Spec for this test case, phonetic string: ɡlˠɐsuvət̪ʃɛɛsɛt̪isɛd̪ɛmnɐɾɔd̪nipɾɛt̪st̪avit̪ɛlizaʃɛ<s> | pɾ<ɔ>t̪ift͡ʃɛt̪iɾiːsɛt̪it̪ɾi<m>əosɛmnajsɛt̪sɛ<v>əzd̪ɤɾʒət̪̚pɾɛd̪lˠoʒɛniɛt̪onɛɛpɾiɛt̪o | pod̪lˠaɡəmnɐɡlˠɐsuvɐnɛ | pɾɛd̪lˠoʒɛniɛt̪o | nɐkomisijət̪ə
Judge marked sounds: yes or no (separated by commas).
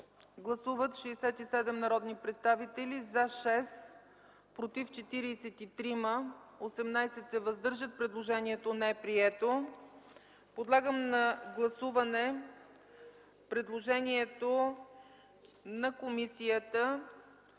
yes, no, yes, yes